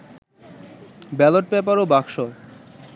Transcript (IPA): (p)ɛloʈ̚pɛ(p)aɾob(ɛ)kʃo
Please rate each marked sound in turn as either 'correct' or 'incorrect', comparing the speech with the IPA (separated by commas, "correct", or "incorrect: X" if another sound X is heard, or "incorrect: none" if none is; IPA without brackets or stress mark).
incorrect: b, correct, incorrect: a